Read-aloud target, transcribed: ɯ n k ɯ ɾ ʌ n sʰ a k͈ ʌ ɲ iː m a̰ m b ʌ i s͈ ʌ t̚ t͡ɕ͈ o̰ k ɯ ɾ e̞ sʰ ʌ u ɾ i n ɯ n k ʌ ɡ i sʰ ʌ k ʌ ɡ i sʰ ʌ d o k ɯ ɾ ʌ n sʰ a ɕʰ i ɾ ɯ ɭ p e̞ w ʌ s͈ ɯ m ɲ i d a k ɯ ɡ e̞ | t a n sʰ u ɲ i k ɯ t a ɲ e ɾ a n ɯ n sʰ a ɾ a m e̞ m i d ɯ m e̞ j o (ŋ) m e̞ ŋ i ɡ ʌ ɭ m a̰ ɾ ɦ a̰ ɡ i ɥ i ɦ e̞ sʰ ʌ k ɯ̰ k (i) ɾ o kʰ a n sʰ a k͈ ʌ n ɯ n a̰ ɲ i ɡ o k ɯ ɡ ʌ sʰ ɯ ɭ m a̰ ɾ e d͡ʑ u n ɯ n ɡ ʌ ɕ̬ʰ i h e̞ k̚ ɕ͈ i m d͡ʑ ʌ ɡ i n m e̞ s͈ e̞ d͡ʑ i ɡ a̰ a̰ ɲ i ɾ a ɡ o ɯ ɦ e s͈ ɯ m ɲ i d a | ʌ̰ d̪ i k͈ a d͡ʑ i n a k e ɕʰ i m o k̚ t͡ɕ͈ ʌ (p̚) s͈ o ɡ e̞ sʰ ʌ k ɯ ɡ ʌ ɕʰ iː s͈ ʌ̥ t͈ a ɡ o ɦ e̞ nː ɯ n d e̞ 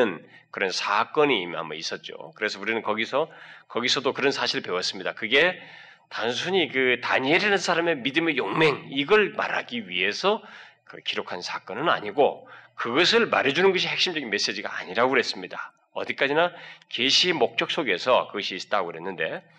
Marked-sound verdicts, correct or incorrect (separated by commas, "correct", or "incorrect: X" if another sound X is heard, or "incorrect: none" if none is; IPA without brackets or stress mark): correct, correct, incorrect: k̚